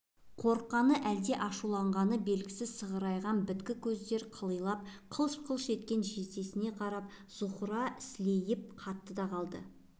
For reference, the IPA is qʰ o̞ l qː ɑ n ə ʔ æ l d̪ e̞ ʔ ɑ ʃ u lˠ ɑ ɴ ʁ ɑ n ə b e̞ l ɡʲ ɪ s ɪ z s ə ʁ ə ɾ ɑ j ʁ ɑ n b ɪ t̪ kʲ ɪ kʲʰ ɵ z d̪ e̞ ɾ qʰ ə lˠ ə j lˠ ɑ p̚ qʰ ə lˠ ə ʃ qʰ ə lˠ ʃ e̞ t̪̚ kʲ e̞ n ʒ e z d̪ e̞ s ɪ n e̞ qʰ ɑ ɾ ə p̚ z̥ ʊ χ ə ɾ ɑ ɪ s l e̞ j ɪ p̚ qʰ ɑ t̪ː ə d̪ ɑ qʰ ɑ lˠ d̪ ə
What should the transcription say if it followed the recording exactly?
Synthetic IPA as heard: qʰ o̞ ɾ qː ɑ n ə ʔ æ l d̪ e̞ ʔ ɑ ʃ u lˠ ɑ ɴ ʁ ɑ n ə b e̞ l ɡʲ ɪ s ɪ z s ə ʁ ə ɾ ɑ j ʁ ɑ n b ɪ t̪ kʲ ɪ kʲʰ ɵ z d̪ e̞ ɾ qʰ ə lˠ ə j lˠ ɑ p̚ qʰ ə lˠ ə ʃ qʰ ə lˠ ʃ e̞ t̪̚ kʲ e̞ n ʒ e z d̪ e̞ s ɪ n e̞ qʰ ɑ ɾ ɑ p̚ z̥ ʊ χ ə ɾ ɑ ɪ s l e̞ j ɪ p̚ qʰ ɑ t̪ː ə d̪ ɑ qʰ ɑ lˠ d̪ ə